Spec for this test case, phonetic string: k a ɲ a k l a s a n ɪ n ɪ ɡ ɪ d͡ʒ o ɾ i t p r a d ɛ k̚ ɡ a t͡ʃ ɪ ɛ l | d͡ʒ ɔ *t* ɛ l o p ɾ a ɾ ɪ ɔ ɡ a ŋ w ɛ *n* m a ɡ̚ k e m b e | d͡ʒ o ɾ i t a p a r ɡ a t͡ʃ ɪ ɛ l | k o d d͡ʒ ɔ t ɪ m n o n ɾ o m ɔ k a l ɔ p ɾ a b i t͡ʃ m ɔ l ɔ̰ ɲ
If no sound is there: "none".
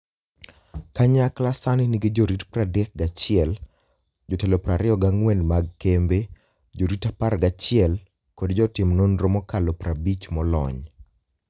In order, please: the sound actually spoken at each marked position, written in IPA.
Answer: t, n

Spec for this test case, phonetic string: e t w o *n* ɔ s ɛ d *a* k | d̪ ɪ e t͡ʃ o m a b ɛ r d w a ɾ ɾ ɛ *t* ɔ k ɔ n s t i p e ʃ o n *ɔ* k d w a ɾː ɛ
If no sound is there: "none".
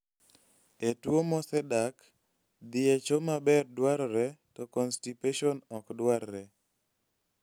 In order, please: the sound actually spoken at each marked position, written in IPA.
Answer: m, a, t, ɔ

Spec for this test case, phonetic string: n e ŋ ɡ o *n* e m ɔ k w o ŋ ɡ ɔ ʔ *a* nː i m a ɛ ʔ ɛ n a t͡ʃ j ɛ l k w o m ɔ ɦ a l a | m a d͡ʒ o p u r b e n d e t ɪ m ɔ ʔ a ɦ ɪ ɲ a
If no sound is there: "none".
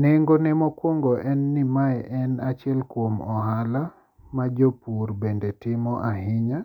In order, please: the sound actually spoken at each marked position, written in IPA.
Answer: n, ɛ

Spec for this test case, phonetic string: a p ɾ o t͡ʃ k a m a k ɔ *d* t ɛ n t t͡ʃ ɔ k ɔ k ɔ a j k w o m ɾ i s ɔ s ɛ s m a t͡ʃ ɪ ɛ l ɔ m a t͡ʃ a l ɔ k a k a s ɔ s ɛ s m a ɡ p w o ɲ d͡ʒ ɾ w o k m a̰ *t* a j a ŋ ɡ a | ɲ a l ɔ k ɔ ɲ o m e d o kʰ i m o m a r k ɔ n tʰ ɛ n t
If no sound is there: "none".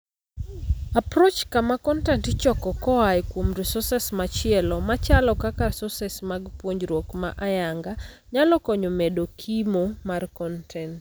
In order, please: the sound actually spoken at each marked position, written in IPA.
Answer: n, ʔ

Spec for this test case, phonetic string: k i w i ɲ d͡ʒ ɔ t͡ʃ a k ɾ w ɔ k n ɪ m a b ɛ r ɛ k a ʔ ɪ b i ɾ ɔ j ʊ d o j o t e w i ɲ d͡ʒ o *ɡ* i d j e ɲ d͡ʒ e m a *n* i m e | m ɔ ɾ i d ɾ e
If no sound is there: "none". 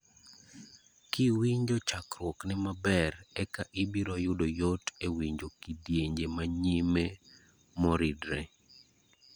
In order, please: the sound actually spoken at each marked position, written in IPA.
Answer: k, ɲ

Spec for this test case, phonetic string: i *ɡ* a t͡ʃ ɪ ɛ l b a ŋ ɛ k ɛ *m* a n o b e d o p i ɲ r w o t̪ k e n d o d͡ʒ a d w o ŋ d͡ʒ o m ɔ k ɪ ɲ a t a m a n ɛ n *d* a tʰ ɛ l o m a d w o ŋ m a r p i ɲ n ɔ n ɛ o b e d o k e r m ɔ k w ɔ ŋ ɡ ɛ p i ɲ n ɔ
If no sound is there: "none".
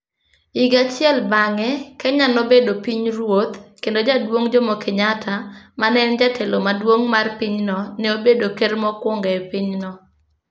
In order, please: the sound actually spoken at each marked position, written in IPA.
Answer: ɡ, ɲ, d͡ʒ

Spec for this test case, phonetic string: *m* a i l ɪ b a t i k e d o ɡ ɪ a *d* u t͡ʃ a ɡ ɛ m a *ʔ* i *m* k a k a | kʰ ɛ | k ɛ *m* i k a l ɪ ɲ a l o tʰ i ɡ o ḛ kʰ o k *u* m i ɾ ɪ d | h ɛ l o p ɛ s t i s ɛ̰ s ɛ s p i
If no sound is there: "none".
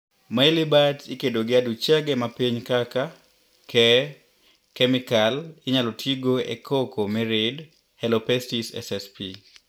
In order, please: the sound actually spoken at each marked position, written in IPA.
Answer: m, d, p, ɲ, m, o

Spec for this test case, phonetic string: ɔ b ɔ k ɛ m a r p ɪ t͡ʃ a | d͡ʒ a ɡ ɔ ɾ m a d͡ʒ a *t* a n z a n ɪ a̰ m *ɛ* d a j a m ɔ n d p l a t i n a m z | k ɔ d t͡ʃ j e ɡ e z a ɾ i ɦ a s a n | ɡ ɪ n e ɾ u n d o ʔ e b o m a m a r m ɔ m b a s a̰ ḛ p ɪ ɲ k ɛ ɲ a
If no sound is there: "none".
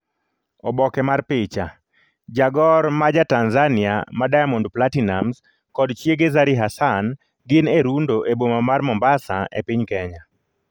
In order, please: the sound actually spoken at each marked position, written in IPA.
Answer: t, a

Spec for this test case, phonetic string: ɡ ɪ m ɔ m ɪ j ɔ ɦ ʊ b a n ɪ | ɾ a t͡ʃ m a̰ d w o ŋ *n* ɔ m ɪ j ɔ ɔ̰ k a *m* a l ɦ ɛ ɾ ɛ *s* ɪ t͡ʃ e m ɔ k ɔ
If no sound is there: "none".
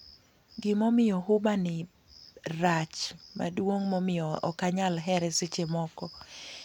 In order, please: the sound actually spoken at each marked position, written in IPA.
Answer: m, ɲ, s

